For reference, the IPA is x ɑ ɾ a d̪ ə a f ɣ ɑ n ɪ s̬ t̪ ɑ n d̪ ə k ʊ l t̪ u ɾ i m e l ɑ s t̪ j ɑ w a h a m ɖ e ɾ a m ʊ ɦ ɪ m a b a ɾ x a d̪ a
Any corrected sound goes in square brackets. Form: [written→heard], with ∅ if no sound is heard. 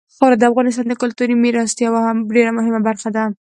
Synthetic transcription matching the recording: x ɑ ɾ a d̪ ə a f ɣ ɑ n ɪ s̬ t̪ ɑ n d̪ ə k ʊ l t̪ u ɾ i m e [l→ɾ] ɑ s t̪ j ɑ w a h a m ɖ e ɾ a m ʊ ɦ ɪ m a b a ɾ x a d̪ a